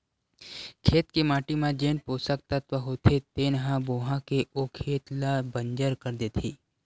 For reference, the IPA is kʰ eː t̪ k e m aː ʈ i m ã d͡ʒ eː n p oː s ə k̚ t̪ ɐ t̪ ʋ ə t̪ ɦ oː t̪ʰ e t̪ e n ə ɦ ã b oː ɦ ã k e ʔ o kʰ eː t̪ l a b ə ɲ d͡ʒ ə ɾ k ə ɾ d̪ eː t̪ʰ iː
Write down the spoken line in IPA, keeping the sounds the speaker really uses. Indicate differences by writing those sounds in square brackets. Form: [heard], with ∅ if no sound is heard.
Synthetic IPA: kʰ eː t̪ k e m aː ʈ i m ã d͡ʒ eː n p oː s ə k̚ t̪ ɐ t̪ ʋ ə [∅] ɦ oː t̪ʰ e t̪ e n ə ɦ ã b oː ɦ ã k e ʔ o kʰ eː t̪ l a b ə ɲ d͡ʒ ə ɾ k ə ɾ d̪ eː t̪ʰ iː

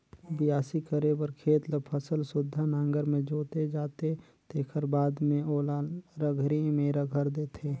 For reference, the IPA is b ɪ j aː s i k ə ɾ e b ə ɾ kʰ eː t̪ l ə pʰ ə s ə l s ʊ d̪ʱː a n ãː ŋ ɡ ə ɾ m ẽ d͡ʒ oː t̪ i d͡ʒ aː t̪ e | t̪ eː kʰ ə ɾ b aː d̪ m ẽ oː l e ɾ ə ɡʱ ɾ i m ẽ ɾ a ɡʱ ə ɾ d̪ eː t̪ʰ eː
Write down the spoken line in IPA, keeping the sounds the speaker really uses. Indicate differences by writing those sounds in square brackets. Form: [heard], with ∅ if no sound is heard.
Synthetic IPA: b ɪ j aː s i k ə ɾ e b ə ɾ kʰ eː t̪ l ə pʰ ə s ə l s ʊ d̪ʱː a n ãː ŋ ɡ ə ɾ m ẽ d͡ʒ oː t̪ [e] d͡ʒ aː t̪ e | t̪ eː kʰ ə ɾ b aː d̪ m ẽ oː l [a] ɾ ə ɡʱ ɾ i m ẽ ɾ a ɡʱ ə ɾ d̪ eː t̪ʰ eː

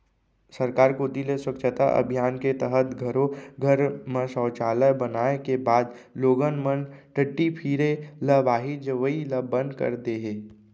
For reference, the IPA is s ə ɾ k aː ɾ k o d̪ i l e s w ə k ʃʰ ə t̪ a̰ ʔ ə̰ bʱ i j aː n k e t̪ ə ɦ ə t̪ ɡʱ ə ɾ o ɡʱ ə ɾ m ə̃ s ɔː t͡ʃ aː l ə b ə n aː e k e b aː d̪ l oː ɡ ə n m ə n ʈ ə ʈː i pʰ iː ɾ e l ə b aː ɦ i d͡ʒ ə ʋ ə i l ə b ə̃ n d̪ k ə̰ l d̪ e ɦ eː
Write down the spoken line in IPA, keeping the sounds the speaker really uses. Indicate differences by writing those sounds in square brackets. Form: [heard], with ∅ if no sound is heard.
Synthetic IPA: s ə ɾ k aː ɾ k o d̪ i l e s w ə k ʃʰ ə t̪ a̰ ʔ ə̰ bʱ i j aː n k e t̪ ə ɦ ə t̪ ɡʱ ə ɾ o ɡʱ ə ɾ m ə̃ s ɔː t͡ʃ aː l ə b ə n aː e k e b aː d̪ l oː ɡ ə n m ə n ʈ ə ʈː i pʰ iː ɾ e l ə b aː ɦ i d͡ʒ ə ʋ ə i l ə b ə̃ n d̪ k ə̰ [ɾ] d̪ e ɦ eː

